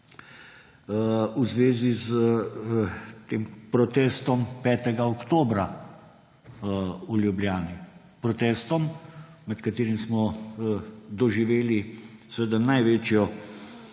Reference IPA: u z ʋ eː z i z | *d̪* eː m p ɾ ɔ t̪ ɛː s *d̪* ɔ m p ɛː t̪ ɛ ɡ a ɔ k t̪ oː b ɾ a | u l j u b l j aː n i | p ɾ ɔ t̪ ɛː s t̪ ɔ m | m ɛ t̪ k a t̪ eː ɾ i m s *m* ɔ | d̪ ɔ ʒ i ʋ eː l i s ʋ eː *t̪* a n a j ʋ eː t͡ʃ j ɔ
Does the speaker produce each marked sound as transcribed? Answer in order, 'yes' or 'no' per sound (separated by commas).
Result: no, no, yes, no